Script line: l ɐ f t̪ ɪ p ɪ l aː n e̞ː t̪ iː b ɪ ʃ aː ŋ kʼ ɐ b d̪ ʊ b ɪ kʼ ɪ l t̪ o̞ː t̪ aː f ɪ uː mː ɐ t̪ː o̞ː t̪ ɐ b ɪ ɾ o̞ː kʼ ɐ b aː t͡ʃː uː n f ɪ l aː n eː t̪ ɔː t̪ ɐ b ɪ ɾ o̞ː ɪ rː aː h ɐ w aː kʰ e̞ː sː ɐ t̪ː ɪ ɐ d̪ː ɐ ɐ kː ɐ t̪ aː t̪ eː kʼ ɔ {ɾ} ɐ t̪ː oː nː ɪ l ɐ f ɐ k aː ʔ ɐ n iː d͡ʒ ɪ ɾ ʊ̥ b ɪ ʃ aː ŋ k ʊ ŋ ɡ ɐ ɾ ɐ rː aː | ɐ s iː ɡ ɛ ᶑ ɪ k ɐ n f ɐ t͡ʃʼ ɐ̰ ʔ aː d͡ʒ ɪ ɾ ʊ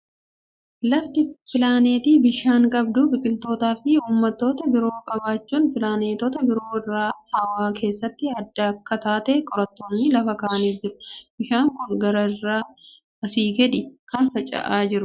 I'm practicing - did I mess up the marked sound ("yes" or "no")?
no